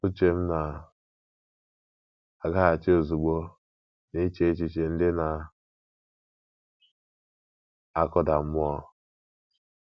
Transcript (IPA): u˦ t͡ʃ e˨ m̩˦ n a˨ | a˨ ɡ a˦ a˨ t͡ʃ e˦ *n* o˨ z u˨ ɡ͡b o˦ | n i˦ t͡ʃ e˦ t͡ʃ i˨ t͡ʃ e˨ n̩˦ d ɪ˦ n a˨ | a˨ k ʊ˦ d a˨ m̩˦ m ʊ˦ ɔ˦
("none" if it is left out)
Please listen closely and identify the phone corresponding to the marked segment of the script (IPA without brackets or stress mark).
none